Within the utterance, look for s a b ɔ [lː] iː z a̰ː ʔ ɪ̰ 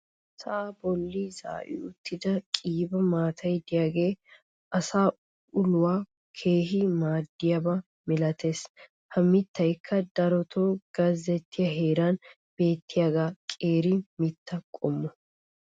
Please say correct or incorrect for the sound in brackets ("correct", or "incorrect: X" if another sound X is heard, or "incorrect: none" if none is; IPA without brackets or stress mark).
correct